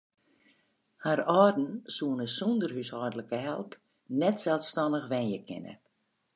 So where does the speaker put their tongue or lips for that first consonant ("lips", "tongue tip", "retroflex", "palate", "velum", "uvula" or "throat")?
throat